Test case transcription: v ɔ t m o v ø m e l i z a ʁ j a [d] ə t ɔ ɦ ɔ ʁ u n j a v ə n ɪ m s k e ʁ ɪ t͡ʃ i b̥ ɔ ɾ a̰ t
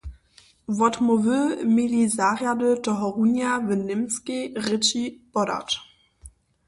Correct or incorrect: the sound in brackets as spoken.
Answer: correct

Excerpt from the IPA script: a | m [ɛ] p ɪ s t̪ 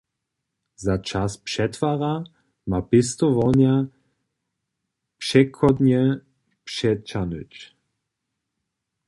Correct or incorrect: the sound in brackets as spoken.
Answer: incorrect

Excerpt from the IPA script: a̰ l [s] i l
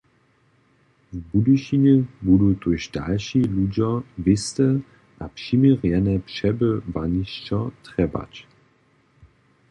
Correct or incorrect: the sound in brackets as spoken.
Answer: incorrect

